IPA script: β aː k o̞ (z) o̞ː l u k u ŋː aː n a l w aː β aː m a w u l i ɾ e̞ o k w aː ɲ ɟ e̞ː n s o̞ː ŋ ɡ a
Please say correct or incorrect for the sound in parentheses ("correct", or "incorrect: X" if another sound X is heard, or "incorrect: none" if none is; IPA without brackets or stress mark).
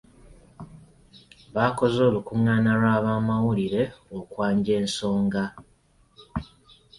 correct